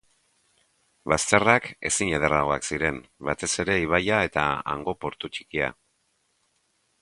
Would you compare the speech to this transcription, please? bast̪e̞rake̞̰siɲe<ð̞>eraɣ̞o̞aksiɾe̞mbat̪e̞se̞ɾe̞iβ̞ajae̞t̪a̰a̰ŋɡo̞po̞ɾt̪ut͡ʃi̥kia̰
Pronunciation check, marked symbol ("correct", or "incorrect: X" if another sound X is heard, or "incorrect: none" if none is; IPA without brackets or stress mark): correct